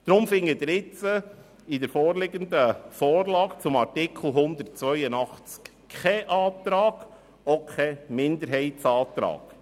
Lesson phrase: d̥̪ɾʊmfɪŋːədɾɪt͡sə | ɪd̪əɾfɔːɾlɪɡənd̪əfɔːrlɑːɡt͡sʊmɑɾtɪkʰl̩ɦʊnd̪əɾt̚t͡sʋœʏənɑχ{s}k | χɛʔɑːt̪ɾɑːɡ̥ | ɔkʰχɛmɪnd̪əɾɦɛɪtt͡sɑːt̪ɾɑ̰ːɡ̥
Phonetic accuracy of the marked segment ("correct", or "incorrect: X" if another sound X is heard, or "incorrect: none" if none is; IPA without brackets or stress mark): incorrect: t͡s